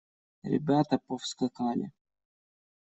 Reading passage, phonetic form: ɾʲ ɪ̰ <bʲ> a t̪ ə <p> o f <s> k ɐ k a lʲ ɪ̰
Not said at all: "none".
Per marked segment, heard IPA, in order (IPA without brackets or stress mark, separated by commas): bʲ, p, s